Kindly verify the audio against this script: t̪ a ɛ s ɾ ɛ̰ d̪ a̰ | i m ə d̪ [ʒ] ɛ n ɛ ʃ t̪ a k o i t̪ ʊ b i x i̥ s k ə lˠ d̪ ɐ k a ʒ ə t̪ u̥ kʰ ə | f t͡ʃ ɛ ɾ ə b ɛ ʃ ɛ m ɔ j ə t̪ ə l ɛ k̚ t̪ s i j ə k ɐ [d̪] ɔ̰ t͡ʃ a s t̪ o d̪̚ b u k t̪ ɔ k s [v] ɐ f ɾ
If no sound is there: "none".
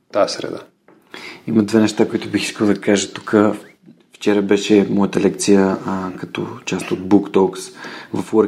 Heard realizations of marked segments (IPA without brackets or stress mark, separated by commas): v, t̪, v